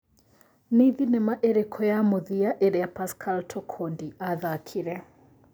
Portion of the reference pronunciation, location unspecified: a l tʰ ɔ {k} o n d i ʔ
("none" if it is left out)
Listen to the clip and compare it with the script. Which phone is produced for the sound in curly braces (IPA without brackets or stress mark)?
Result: kʰ